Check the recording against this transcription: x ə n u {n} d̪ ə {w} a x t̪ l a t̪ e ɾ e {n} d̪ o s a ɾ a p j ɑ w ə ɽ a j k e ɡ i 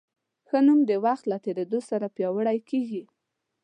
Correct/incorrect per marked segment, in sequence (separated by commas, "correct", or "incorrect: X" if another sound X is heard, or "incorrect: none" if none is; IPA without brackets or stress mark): incorrect: m, correct, incorrect: none